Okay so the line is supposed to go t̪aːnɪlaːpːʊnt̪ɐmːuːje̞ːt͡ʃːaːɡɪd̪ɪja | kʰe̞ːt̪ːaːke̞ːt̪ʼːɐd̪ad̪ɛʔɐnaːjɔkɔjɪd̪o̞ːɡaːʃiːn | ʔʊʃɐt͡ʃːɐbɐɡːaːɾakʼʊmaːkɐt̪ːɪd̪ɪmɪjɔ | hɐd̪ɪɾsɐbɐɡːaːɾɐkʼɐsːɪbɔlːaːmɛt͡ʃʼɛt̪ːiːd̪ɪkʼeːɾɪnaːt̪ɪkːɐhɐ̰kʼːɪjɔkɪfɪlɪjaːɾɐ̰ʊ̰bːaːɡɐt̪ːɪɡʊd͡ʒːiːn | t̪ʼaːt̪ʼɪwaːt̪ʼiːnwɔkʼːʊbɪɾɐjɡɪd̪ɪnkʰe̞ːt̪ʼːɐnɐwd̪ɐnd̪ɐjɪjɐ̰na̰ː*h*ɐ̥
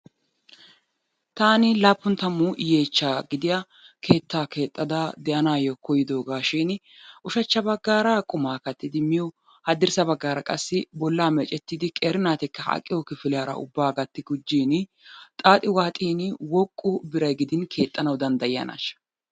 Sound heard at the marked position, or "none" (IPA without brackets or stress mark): ʃ